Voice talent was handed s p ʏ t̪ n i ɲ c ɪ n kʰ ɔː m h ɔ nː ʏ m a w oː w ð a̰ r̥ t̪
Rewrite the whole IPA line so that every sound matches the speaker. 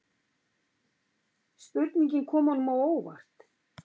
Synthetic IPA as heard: s p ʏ t̪ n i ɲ c ɪ n kʰ ɔː m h ɔ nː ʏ m a w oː w v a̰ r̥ t̪